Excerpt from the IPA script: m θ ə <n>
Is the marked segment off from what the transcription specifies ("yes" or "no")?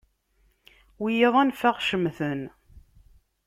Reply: no